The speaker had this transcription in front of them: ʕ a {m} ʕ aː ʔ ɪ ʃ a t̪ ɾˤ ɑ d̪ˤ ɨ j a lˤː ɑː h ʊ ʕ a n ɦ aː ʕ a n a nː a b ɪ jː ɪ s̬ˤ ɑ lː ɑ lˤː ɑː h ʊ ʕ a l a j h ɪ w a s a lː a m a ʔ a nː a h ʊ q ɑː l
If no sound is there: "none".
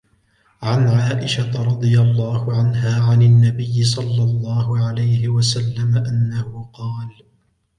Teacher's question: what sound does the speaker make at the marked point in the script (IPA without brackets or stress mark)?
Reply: n